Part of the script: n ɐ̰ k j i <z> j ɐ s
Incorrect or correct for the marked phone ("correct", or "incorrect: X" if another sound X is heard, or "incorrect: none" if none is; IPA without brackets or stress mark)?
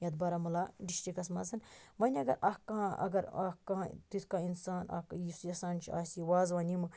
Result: incorrect: s